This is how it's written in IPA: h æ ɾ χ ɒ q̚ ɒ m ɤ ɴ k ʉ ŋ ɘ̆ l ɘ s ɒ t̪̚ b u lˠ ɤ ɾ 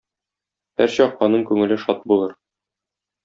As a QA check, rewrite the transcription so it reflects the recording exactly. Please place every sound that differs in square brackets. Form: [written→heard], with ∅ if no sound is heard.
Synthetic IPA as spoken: h æ ɾ [χ→ɕ] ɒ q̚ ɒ [m→n] ɤ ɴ k ʉ ŋ ɘ̆ l ɘ [s→ʃ] ɒ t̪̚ b u lˠ ɤ ɾ